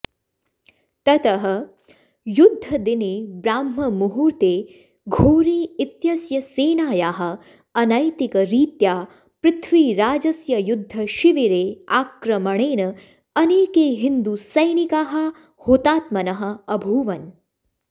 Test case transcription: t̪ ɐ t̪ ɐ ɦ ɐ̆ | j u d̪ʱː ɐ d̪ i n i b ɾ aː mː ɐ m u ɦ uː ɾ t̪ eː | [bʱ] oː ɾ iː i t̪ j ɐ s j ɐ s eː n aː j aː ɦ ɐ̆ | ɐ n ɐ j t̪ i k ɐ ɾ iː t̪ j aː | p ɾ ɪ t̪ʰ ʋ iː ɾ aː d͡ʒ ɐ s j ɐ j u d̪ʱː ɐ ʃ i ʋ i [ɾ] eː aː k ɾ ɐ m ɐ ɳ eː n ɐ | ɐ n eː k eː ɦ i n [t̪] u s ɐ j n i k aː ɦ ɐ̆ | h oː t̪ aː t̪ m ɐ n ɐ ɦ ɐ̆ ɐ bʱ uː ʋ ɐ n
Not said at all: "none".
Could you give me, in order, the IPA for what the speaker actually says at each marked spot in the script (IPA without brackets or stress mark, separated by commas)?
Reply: ɡʱ, ɾ, d̪